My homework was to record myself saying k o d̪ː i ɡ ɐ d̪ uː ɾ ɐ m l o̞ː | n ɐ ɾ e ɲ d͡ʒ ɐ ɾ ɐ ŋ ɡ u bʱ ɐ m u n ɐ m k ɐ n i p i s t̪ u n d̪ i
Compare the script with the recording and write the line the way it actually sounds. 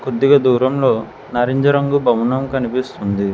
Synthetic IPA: k o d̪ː i ɡ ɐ d̪ uː ɾ ɐ m l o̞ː | n ɐ ɾ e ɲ d͡ʒ ɐ ɾ ɐ ŋ ɡ u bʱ ɐ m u n ɐ m k ɐ n i p i s t̪ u n d̪ i